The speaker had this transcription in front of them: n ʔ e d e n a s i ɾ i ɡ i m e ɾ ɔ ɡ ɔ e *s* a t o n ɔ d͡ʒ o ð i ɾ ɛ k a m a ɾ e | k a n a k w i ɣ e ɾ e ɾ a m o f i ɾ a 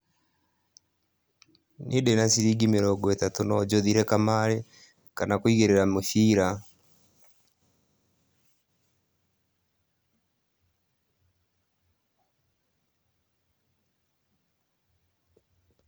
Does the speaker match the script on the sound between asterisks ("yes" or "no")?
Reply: no